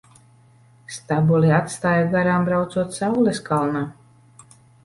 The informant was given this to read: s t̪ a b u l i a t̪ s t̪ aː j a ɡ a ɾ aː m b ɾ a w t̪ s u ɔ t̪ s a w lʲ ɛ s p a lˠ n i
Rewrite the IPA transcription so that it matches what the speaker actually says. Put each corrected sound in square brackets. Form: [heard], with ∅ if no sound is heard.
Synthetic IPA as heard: s t̪ a b u l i a t̪ s t̪ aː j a ɡ a ɾ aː m b ɾ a w t̪ s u ɔ t̪ s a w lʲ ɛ s [k] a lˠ n [a]